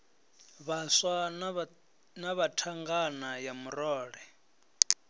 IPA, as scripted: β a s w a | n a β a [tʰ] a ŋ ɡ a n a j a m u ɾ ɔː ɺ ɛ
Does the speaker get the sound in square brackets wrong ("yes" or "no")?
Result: no